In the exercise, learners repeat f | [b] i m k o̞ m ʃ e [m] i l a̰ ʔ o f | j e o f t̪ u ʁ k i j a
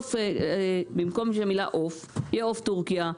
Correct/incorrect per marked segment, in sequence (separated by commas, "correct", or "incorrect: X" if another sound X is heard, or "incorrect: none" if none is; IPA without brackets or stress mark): correct, correct